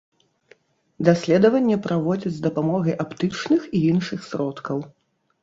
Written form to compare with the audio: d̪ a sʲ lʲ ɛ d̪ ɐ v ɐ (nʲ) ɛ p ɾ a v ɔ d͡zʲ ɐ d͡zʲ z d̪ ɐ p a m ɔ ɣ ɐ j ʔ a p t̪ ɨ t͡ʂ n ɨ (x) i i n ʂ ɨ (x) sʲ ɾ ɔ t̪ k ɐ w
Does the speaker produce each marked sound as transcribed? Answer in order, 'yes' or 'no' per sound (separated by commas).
no, yes, yes